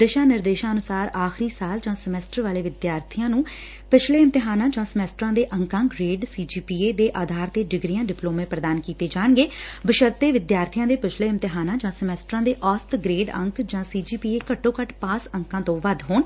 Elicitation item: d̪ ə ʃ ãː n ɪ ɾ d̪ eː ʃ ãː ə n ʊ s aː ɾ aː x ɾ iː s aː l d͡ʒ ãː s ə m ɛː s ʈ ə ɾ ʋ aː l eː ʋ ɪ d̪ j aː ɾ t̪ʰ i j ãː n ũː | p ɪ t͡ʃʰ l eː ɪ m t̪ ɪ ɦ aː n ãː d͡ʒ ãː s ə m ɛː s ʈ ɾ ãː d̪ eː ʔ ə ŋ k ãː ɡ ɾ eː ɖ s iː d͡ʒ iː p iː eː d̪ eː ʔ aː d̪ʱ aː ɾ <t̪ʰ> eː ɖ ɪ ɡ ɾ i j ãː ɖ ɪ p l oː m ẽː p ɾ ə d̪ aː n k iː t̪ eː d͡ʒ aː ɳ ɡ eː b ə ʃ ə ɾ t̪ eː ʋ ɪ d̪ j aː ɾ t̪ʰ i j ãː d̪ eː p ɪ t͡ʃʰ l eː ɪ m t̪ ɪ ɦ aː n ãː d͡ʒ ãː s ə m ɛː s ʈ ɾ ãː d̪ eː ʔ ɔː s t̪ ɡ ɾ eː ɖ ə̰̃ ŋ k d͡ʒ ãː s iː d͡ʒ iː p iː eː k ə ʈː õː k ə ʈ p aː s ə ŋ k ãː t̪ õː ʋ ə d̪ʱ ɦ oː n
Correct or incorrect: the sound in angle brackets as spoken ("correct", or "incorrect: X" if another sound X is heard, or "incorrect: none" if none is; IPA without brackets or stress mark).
incorrect: t̪